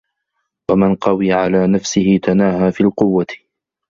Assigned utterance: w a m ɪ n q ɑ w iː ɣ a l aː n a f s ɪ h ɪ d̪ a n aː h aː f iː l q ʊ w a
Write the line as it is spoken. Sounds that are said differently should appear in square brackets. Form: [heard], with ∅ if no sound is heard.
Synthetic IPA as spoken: w a m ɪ n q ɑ w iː [ʕ] a l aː n a f s ɪ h ɪ [t̪] a n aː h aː f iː l q ʊ [wː] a